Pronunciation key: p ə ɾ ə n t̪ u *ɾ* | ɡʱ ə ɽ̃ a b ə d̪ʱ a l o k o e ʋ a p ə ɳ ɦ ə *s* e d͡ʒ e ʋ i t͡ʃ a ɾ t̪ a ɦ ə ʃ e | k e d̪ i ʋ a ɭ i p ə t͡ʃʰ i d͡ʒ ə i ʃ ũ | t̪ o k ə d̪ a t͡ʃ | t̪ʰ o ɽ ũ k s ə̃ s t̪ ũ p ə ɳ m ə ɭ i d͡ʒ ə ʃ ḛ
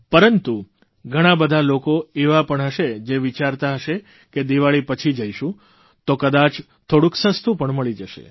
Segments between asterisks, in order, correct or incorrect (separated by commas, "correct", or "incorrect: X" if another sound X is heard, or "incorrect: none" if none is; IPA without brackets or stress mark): incorrect: none, incorrect: ʃ